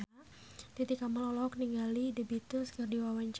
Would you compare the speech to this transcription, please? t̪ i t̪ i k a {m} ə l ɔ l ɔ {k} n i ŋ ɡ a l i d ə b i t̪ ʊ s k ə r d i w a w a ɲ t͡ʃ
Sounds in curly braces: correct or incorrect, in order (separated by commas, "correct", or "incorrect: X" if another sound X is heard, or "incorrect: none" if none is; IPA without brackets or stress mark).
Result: correct, correct